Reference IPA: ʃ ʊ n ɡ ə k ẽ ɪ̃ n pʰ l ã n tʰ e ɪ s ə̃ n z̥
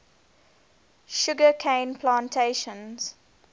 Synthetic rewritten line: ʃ ʊ ɡ ə kʰ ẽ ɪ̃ n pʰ l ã n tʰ e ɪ ʃ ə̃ n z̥